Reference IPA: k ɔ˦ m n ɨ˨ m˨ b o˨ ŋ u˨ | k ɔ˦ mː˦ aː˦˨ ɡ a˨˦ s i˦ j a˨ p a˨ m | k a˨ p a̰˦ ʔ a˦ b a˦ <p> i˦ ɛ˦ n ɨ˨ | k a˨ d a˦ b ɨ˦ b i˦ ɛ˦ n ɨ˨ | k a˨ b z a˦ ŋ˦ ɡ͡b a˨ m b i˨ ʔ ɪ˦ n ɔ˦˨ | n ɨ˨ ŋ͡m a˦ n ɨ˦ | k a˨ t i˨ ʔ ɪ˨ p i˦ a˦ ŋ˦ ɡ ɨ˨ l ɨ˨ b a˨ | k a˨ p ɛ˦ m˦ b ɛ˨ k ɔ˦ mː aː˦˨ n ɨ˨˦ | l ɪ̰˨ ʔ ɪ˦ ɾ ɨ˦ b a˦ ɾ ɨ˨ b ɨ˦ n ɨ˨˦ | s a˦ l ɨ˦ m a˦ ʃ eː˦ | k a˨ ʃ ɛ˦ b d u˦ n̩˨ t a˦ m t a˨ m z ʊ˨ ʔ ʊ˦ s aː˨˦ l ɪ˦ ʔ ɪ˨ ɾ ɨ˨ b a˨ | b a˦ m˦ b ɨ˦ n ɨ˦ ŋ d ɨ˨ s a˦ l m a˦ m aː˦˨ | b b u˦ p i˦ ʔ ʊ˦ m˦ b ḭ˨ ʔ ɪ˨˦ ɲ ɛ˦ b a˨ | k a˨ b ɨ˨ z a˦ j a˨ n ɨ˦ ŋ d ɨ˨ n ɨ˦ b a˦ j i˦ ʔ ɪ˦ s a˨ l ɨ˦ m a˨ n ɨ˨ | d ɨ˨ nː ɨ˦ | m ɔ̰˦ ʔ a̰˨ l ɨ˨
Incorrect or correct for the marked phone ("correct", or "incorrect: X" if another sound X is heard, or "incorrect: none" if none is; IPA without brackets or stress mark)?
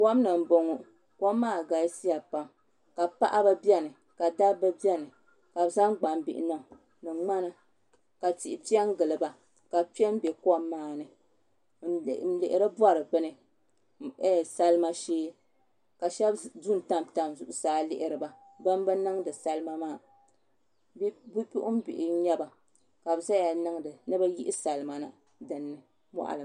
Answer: incorrect: b